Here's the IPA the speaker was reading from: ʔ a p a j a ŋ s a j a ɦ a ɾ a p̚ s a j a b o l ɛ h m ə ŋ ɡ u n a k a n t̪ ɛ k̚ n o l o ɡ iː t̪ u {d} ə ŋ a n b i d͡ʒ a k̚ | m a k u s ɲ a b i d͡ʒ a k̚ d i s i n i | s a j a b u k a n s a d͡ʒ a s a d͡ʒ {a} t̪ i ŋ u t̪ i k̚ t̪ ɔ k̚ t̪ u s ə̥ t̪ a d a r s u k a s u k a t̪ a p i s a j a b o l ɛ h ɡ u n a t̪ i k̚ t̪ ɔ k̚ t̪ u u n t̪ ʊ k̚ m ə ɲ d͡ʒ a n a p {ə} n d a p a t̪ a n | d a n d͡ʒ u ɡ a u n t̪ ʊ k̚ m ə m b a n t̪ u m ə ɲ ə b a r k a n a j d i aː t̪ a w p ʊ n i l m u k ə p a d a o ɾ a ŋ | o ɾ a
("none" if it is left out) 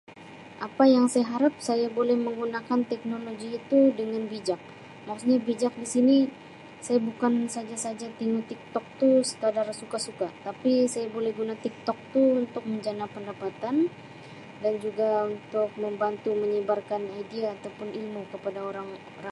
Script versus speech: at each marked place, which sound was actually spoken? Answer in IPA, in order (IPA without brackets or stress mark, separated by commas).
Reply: d, a, ə